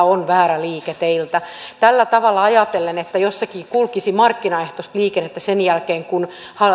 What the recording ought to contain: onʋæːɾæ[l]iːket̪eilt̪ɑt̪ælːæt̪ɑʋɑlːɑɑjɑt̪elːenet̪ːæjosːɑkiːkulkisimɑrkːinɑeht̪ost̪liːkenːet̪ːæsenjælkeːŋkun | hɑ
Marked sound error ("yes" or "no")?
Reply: no